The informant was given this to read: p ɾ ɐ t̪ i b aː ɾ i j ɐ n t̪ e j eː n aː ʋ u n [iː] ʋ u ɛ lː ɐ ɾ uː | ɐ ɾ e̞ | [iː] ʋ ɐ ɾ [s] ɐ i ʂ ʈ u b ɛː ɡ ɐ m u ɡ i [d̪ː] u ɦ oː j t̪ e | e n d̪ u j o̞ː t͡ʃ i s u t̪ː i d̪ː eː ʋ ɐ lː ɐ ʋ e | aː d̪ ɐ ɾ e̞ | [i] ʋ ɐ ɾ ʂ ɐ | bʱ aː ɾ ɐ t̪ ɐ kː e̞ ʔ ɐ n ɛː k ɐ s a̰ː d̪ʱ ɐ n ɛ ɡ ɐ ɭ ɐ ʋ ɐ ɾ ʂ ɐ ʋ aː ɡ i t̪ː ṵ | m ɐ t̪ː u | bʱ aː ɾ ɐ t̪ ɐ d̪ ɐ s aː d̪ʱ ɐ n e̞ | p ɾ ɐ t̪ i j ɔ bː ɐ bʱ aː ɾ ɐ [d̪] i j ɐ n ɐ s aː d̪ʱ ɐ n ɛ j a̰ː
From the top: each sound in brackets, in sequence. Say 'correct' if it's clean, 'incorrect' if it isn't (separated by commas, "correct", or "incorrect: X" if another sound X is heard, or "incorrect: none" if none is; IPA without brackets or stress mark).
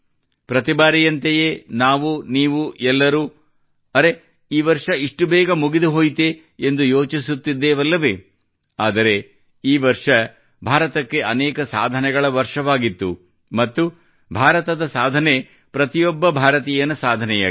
correct, correct, incorrect: ʂ, incorrect: d̪, incorrect: iː, incorrect: t̪